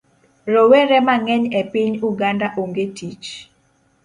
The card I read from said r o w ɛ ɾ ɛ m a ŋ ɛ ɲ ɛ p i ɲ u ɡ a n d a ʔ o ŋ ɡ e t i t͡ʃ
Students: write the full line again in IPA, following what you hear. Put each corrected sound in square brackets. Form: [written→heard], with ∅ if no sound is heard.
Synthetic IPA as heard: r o w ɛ ɾ ɛ m a ŋ ɛ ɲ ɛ p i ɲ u ɡ a n d a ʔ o ŋ ɡ e t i t͡ʃ